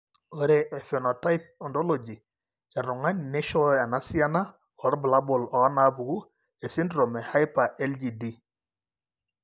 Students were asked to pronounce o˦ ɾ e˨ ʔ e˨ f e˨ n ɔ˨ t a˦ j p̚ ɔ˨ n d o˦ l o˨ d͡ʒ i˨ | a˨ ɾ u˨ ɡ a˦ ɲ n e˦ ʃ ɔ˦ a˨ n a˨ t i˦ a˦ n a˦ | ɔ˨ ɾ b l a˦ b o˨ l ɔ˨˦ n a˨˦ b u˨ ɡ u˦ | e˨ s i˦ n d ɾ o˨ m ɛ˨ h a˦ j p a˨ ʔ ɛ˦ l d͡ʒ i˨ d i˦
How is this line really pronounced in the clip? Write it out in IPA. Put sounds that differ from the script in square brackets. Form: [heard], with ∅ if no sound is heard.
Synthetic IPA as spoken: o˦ ɾ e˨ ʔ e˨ f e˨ n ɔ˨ t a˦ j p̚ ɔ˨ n d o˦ l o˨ d͡ʒ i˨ | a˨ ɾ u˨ [ŋ] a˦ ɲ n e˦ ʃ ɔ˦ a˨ n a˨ [s] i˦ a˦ n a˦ | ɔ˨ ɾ b l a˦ b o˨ l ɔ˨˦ n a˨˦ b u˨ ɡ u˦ | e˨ s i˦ n d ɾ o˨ m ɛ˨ h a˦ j p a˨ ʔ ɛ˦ l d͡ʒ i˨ d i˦